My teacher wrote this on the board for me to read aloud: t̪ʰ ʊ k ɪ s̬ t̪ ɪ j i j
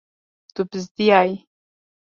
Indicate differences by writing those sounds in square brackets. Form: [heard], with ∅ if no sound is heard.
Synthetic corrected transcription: [t̪] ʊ [p] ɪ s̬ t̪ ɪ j [a] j